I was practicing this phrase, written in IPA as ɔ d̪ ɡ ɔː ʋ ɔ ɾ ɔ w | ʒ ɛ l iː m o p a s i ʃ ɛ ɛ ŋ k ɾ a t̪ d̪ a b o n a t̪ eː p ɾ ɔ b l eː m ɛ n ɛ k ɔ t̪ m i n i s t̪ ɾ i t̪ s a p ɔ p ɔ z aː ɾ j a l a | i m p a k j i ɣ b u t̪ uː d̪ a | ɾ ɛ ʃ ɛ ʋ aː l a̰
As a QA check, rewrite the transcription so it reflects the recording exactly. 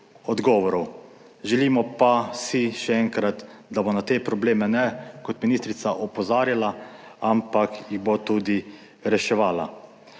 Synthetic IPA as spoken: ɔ d̪ ɡ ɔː ʋ ɔ ɾ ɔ w | ʒ ɛ l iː m ɔ p a s i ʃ ɛ ɛ ŋ k ɾ a t̪ d̪ a b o n a t̪ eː p ɾ ɔ b l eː m ɛ n ɛ k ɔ t̪ m i n i s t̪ ɾ i t̪ s a ʔ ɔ p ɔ z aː ɾ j a l a | a m p a k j i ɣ b o t̪ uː d̪ i | ɾ ɛ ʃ ɛ ʋ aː l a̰